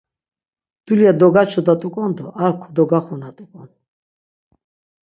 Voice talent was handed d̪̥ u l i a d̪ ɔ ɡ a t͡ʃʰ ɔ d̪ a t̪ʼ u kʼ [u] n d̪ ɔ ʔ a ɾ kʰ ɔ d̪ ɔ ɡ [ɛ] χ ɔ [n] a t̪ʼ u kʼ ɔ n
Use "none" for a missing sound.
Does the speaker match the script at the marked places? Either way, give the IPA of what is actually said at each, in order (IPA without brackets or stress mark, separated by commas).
ɔ, a, n